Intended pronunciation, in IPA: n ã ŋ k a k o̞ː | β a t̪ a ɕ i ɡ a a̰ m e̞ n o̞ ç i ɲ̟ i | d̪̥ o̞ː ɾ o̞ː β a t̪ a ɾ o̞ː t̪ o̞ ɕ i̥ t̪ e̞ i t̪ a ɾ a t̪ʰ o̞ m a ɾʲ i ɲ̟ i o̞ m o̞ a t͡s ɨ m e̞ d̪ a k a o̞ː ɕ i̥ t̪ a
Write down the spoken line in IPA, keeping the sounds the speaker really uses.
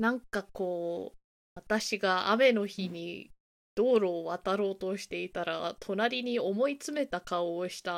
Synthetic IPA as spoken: n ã ŋ k a k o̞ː | β a t̪ a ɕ i ɡ a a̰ m e̞ n o̞ ç i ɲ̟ i | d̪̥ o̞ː ɾ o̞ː β a t̪ a ɾ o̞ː t̪ o̞ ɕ i̥ t̪ e̞ i t̪ a ɾ a t̪ʰ o̞ n a ɾʲ i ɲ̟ i o̞ m o̞ i t͡s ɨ m e̞ t̪ a k a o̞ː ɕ i̥ t̪ a